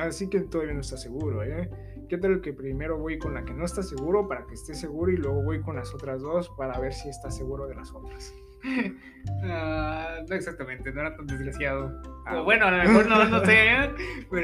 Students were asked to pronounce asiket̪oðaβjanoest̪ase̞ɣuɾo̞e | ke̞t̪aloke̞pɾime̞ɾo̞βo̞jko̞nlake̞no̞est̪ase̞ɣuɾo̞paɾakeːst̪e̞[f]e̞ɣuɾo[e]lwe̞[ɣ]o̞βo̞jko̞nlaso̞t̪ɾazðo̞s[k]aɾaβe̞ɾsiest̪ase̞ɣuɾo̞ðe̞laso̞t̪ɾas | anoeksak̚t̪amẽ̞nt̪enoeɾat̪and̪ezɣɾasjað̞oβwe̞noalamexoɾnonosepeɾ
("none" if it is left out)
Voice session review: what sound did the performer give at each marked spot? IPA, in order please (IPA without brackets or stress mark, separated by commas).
s, i, ɣ, p